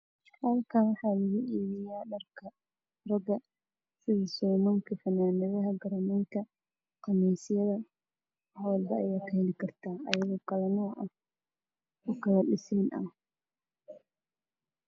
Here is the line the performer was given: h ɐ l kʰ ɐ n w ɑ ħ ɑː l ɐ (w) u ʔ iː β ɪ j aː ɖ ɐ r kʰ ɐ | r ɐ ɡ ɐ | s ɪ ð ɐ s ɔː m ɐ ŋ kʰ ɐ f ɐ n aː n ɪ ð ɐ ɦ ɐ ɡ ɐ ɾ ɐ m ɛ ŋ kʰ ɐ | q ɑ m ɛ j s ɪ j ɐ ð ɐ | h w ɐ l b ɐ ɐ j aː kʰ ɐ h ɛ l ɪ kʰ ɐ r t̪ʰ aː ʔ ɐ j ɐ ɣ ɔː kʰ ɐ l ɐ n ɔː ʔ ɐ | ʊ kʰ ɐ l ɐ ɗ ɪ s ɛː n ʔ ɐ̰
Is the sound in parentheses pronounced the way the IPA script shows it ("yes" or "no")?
no